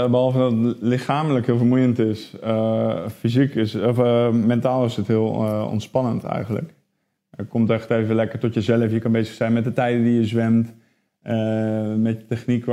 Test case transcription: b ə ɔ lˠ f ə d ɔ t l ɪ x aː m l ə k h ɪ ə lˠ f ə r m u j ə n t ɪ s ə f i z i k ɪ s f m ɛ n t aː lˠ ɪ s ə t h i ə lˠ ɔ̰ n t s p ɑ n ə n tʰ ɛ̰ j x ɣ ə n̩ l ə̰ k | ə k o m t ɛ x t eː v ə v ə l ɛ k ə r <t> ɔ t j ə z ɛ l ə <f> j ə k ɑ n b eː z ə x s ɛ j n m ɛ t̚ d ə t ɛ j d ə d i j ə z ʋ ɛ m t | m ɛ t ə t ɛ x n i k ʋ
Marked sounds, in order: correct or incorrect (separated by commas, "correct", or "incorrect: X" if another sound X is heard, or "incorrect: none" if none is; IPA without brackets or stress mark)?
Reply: correct, correct